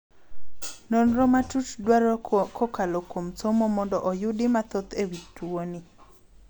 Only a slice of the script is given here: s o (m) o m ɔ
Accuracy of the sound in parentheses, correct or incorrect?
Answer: correct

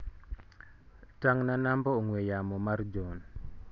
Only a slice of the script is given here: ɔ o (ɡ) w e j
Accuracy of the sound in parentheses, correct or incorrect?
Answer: incorrect: ŋ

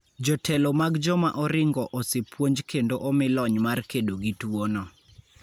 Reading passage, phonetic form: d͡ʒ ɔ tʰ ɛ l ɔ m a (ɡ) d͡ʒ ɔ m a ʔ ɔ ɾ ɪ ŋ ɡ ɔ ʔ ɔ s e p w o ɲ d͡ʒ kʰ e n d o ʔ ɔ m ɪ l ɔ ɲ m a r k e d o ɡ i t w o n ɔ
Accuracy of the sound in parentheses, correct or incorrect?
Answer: correct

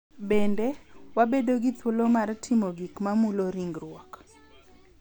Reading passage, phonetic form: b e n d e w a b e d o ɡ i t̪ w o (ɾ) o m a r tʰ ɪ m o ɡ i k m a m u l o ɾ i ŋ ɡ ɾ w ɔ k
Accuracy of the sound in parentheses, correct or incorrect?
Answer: incorrect: l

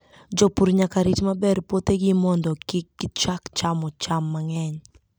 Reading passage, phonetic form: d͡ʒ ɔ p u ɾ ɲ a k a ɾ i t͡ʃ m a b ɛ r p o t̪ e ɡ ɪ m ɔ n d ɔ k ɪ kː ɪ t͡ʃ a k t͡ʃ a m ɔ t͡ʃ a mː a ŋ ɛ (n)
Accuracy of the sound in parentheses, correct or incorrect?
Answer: incorrect: ɲ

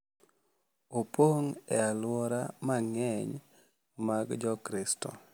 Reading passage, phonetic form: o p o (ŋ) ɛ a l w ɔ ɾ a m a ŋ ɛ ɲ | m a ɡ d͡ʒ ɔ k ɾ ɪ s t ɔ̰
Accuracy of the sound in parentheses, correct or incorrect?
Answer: correct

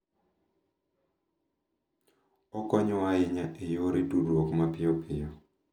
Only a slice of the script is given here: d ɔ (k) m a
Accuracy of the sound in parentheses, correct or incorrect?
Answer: correct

